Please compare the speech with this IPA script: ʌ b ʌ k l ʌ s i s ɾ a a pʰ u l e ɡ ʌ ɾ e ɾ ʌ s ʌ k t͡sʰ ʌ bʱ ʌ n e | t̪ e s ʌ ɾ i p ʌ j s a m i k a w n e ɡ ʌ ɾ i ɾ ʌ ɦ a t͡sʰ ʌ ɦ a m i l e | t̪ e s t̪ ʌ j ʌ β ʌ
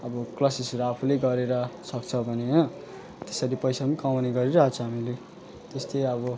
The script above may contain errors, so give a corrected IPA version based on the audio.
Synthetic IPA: ʌ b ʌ k l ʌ s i s ɾ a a pʰ u l e ɡ ʌ ɾ e ɾ ʌ s ʌ k t͡sʰ ʌ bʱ ʌ n e | t̪ e s ʌ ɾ i p ʌ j s a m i k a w n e ɡ ʌ ɾ i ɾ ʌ ɦ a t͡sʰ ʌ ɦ a m i l e | t̪ e s t̪ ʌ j ʌ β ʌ